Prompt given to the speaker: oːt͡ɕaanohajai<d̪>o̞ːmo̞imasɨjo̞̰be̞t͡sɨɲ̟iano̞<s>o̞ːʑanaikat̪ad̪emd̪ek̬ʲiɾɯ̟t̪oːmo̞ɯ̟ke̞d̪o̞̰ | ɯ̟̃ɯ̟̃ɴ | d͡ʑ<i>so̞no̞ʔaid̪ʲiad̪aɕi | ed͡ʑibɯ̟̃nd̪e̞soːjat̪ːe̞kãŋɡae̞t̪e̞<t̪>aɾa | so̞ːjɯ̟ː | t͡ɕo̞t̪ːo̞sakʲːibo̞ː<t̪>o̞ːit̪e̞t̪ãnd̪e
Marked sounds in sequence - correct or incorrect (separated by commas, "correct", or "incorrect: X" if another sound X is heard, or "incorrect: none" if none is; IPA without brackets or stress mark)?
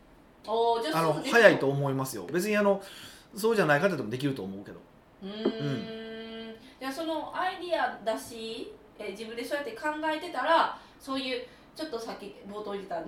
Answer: incorrect: t̪, correct, incorrect: a, correct, correct